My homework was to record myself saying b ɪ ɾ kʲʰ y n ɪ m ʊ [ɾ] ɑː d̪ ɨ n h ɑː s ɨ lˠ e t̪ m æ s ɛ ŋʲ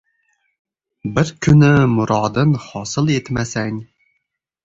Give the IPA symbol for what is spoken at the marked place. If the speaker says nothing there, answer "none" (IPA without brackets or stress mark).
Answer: ɾ